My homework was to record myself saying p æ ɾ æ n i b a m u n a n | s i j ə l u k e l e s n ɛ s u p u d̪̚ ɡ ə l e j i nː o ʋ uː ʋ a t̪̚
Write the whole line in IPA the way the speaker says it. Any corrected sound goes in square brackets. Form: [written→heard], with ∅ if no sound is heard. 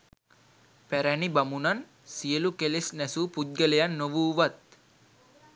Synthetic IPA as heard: p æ ɾ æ n i b a m u n a n | s i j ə l u k e l e s n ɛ s u p u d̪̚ ɡ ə l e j [i→a] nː o ʋ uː ʋ a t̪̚